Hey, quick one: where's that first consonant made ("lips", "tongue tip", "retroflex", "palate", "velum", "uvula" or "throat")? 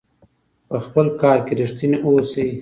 lips